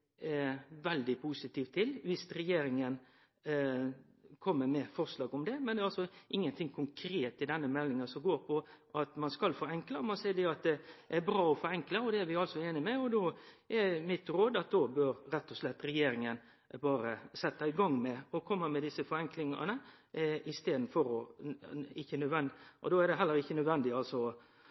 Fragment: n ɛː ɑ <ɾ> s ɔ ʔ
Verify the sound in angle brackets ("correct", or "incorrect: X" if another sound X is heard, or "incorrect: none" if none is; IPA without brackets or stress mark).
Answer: incorrect: l